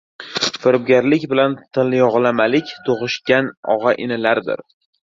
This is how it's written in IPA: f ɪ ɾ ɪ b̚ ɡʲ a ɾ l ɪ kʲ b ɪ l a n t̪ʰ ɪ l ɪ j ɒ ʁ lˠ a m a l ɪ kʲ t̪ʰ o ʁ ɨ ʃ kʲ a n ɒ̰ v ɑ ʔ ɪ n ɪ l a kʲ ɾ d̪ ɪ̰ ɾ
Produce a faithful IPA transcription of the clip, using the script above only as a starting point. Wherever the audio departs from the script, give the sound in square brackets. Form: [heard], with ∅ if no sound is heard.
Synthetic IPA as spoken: f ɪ ɾ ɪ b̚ ɡʲ a ɾ l ɪ kʲ b ɪ l a n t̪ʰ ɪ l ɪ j ɒ ʁ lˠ a m a l ɪ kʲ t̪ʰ o ʁ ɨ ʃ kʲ a n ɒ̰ [ʁ] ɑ ʔ ɪ n ɪ l a [∅] ɾ d̪ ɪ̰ ɾ

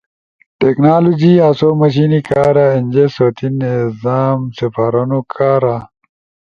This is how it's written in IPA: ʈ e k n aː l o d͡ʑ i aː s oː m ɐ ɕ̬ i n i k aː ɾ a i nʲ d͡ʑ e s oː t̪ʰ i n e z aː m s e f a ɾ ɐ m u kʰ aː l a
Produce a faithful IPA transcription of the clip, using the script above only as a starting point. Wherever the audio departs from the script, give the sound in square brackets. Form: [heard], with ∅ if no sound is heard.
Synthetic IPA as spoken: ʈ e k n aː l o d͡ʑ i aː s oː m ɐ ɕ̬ i n i k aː ɾ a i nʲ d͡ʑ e s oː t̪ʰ i n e z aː m s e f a ɾ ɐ [n] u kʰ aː [ɾ] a

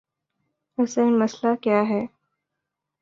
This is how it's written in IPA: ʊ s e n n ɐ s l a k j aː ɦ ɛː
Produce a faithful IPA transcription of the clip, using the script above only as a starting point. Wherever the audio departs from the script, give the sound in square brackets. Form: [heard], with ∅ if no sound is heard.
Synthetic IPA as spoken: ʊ s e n [m] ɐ s l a k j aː ɦ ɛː

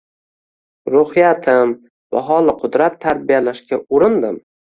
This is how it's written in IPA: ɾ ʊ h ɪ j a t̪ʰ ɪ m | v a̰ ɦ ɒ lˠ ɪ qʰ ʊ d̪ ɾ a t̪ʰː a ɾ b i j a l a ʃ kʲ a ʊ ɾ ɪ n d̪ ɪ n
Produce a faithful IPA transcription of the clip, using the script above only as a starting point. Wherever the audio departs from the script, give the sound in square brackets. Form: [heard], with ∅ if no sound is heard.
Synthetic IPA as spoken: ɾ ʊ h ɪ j a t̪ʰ ɪ m | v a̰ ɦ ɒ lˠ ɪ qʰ ʊ d̪ ɾ a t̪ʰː a ɾ b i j a l a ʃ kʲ a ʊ ɾ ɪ n d̪ ɪ [m]

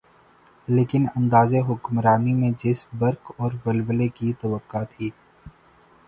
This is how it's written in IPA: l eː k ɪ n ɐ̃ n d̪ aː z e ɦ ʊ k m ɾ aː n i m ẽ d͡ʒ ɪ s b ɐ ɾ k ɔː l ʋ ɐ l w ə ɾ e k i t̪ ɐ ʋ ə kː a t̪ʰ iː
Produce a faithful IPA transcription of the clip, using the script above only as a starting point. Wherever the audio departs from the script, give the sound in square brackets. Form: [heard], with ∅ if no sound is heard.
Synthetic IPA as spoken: l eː k ɪ n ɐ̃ n d̪ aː z e ɦ ʊ k m ɾ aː n i m ẽ d͡ʒ ɪ s b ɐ ɾ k ɔː [ɾ] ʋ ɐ l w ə [l] e k i t̪ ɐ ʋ ə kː a t̪ʰ iː

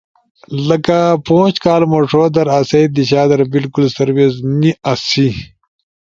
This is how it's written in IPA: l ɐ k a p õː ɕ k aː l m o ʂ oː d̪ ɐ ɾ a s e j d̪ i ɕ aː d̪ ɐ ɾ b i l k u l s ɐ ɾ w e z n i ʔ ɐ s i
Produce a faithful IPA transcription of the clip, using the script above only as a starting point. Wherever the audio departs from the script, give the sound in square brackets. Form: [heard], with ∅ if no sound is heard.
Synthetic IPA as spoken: l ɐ k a p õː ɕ k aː l m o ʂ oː d̪ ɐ ɾ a s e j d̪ i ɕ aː d̪ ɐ ɾ b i l k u l s ɐ ɾ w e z n i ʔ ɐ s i

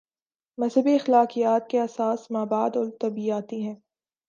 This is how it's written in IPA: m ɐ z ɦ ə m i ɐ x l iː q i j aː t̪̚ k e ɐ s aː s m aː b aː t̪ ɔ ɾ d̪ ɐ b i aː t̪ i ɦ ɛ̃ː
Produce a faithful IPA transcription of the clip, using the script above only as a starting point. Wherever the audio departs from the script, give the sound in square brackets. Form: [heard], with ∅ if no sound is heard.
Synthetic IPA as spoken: m ɐ z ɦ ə [b] i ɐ x l [aː] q i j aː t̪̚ k e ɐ s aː s m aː b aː [d̪] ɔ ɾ [t̪] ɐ b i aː t̪ i ɦ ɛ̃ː

